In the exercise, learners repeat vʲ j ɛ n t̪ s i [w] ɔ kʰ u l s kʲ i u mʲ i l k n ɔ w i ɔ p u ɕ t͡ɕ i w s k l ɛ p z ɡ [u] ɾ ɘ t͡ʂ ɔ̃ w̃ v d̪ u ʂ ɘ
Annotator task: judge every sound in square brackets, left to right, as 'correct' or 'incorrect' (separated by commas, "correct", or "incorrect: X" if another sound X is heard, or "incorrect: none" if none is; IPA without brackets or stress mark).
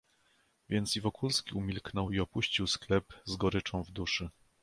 incorrect: v, incorrect: ɔ